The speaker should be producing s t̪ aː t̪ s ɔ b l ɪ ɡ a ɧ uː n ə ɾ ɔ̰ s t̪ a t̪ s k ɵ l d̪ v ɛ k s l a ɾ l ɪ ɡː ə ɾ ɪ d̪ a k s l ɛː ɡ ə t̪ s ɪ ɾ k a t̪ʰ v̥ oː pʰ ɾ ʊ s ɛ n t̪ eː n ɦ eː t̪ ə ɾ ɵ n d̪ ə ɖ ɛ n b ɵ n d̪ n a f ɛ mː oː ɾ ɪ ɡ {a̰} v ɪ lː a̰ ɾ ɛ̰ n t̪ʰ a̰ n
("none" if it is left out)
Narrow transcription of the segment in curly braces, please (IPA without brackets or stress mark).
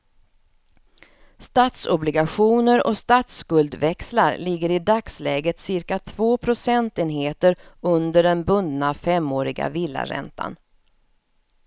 a̰